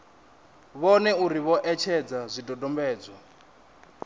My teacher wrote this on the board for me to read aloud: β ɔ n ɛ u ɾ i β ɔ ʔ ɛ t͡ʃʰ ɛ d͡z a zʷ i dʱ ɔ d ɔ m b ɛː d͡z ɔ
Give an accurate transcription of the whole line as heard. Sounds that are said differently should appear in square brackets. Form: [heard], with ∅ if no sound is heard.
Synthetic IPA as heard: β ɔ n ɛ u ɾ i β ɔ ʔ ɛ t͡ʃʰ ɛ d͡z a zʷ i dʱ ɔ d ɔ m b ɛː d͡z ɔ